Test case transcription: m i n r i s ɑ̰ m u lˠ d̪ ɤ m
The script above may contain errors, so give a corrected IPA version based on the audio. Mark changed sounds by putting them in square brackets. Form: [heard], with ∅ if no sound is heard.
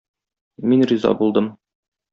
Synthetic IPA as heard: m i n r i [z] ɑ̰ [b] u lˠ d̪ ɤ m